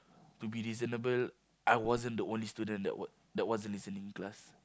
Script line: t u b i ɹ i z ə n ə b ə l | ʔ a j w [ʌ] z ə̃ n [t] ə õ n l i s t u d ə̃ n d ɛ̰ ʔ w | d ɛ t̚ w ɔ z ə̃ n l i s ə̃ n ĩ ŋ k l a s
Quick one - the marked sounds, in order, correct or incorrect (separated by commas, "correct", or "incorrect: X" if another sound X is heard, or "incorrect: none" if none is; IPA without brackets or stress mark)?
incorrect: ɔ, incorrect: d